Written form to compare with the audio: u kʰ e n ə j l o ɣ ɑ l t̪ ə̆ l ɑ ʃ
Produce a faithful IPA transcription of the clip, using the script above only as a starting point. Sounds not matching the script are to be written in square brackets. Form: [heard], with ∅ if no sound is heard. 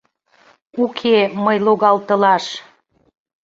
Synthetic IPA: u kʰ e [m] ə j l o ɣ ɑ l t̪ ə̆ l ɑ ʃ